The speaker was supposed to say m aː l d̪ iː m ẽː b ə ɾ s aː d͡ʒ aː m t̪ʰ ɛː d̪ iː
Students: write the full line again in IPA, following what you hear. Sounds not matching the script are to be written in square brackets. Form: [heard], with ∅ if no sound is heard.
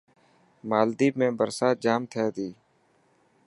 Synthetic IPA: m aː l d̪ iː m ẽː b ə ɾ s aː d͡ʒ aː m t̪ʰ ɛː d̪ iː